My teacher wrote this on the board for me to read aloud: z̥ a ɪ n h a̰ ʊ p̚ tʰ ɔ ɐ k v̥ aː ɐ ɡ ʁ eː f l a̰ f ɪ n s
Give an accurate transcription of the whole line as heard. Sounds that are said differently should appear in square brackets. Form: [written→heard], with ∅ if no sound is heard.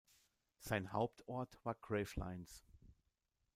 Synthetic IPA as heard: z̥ a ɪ n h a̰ ʊ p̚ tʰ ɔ ɐ [k→t] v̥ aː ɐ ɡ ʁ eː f l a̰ [f→∅] ɪ n s